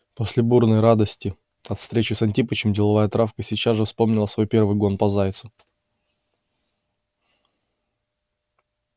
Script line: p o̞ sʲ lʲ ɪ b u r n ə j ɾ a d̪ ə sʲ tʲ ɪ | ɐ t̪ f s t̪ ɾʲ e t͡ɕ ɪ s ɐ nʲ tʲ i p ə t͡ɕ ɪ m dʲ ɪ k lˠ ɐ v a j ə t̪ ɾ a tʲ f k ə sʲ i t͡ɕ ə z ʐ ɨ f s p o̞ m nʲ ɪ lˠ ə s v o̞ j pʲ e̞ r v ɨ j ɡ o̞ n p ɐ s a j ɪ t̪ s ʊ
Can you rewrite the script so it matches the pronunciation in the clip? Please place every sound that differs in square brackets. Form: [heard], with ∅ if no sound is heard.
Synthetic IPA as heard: p o̞ sʲ lʲ ɪ b u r n ə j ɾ a d̪ ə sʲ tʲ ɪ | ɐ t̪ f s t̪ ɾʲ e t͡ɕ ɪ s ɐ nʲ tʲ i p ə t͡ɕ ɪ m dʲ ɪ [∅] lˠ ɐ v a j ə t̪ ɾ a [∅] f k ə sʲ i t͡ɕ [a] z ʐ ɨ f s p o̞ m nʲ ɪ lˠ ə s v o̞ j pʲ e̞ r v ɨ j ɡ o̞ n p ɐ [z] a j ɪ t̪ s ʊ